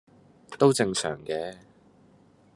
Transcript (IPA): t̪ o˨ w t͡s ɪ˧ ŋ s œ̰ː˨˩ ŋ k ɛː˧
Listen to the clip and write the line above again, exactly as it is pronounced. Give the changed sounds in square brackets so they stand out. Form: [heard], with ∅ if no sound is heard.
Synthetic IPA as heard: t̪ [o˥] w t͡s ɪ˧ ŋ s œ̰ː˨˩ ŋ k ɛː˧